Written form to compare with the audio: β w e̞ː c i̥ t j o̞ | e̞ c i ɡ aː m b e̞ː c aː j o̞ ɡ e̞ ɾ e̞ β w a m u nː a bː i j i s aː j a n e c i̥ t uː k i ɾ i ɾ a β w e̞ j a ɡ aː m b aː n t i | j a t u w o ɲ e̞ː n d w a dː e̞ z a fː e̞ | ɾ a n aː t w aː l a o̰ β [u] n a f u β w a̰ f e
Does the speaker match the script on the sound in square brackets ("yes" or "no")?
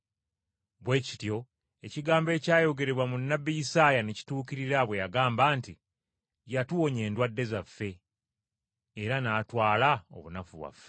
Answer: yes